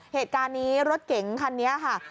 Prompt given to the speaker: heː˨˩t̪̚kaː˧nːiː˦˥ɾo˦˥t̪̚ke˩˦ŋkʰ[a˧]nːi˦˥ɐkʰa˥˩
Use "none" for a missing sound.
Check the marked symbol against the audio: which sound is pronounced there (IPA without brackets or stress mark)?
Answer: a˧